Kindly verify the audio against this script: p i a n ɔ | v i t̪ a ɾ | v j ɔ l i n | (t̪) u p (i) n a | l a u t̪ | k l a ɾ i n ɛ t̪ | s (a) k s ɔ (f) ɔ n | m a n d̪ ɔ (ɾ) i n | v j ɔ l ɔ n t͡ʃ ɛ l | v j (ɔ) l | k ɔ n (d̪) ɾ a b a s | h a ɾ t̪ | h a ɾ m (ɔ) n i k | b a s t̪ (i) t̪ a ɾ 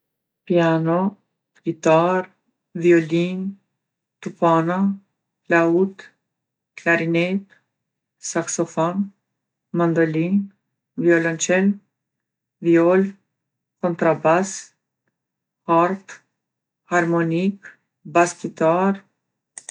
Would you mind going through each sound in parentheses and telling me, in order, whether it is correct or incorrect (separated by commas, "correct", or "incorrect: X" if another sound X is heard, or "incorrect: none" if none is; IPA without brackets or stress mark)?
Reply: correct, incorrect: a, correct, correct, incorrect: l, correct, incorrect: t̪, correct, correct